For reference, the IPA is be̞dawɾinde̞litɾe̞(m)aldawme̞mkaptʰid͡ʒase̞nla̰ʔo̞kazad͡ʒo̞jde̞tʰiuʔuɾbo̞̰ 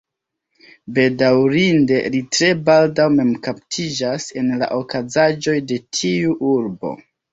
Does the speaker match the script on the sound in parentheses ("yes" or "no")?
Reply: no